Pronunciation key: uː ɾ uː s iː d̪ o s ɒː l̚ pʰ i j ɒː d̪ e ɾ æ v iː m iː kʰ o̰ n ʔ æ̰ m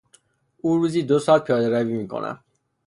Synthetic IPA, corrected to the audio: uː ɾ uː z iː d̪ o s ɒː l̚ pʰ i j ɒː d̪ e ɾ æ v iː m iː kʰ o̰ n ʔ æ̰ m